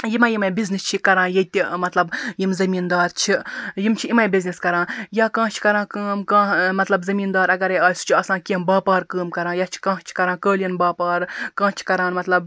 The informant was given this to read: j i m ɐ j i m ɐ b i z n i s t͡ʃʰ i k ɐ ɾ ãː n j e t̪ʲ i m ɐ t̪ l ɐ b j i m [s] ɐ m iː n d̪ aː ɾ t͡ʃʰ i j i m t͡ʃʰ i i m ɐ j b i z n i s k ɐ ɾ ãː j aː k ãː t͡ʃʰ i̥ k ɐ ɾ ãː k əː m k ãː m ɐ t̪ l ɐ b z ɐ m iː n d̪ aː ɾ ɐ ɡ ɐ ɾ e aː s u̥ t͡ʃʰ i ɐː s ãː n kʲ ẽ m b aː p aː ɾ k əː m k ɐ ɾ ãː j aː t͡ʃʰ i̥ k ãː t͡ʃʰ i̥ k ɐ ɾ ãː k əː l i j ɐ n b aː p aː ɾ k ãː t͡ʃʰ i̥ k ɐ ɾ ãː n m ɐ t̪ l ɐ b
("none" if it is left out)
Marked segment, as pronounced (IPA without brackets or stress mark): z